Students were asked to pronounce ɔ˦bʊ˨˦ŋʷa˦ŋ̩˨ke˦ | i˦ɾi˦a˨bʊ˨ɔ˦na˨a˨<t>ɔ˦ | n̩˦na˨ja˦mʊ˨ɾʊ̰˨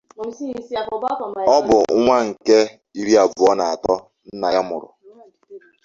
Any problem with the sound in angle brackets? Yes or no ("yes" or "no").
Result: no